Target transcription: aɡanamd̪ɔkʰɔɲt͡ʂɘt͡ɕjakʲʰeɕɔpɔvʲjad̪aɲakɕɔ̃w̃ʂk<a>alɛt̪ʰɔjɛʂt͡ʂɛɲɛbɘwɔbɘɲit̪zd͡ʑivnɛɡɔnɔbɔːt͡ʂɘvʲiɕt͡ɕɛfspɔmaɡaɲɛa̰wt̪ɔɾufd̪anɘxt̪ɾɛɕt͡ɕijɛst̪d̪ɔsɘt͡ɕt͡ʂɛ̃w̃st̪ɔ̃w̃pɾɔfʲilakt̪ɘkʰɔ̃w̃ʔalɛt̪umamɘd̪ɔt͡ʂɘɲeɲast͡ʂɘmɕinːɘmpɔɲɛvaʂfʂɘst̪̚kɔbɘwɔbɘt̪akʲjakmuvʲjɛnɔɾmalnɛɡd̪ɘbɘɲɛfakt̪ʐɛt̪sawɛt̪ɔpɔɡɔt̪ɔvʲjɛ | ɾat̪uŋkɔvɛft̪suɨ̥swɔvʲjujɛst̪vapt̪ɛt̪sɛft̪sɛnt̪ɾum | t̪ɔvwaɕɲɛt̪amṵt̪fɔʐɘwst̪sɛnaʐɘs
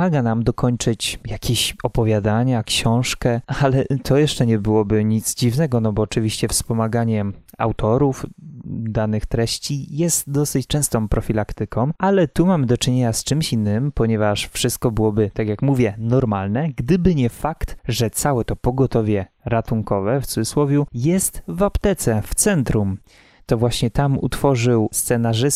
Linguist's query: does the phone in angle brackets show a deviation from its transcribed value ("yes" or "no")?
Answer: yes